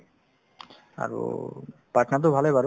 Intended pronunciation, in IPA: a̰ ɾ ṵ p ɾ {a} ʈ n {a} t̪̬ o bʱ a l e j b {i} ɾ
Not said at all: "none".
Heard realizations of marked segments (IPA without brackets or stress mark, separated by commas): a, a, a